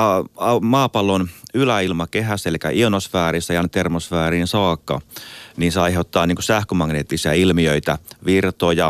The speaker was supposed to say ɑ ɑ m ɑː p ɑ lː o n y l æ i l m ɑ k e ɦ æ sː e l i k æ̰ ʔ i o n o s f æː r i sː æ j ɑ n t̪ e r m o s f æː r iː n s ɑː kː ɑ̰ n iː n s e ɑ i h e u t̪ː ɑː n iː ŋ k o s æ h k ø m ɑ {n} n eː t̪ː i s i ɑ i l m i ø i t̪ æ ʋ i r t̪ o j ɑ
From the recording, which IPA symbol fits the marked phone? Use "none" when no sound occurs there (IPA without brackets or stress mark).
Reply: ŋ